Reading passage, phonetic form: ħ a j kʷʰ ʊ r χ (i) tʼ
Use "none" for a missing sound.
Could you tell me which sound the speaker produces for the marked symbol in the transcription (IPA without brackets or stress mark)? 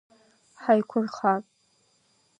a